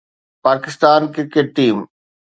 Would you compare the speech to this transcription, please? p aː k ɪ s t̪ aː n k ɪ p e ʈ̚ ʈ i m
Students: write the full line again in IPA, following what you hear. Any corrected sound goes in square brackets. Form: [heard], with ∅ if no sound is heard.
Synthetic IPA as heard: p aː k ɪ s t̪ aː n k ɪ [k] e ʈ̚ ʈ [iː] m